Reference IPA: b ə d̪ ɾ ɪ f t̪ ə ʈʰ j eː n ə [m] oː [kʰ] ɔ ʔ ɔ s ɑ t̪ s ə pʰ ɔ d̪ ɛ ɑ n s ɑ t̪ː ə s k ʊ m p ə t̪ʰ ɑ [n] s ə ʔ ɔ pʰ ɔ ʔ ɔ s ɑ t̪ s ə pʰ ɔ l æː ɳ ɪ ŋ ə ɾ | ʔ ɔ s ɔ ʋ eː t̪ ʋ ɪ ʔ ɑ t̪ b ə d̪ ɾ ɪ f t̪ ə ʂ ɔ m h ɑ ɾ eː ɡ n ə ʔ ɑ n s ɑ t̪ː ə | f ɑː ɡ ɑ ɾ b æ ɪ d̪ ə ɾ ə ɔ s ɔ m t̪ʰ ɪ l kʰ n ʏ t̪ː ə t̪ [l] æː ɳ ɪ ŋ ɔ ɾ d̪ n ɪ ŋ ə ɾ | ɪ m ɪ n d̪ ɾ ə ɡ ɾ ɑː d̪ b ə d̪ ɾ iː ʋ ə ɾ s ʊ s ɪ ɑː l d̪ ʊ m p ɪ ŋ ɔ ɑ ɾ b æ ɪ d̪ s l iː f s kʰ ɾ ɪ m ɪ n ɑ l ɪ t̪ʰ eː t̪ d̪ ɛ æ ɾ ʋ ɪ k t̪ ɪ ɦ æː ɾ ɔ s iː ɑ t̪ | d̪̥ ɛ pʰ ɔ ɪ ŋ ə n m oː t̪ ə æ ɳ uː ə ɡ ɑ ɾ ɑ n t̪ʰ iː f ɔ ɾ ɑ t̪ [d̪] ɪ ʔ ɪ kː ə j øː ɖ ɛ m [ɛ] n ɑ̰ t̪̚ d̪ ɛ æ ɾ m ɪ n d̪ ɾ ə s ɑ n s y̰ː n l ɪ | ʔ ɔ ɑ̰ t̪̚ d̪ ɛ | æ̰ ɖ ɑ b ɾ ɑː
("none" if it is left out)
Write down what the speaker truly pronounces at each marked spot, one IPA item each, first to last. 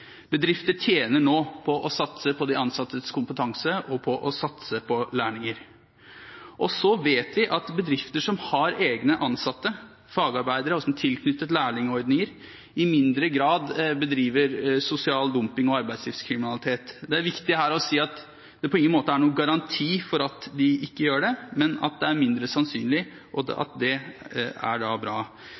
ɳ, pʰ, ŋ, l, d̪, ɛ

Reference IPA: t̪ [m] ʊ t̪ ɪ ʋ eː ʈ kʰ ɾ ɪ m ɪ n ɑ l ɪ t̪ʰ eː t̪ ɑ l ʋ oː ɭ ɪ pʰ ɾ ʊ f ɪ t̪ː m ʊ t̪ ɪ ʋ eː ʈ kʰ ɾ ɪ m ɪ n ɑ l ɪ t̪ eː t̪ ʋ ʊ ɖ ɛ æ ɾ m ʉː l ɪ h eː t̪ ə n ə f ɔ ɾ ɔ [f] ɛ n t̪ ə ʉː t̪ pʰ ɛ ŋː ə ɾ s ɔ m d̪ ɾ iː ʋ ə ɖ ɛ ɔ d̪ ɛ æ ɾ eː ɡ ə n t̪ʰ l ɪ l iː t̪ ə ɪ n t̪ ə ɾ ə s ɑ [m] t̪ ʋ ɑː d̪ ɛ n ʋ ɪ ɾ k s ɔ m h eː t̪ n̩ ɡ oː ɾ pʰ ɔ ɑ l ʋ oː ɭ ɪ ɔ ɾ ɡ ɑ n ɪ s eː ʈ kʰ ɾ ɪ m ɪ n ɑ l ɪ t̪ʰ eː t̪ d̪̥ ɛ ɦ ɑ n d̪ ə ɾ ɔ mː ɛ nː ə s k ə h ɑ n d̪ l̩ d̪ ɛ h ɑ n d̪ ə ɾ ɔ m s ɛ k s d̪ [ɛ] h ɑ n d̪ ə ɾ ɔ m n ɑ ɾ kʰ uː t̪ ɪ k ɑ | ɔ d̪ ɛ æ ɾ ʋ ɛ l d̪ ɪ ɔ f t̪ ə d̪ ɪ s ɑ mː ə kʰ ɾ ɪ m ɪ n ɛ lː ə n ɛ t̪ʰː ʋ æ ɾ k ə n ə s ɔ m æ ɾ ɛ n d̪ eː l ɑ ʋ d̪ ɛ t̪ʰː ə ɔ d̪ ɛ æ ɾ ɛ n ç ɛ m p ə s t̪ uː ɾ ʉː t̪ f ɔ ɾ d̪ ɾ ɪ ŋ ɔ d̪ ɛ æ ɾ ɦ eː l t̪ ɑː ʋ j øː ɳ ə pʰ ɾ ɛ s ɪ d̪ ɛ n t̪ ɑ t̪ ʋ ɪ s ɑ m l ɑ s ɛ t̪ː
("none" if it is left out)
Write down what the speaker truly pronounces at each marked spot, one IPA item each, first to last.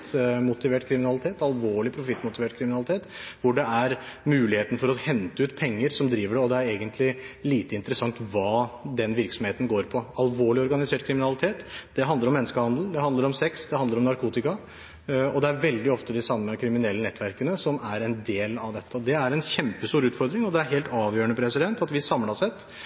m, h, ŋ, ɛ

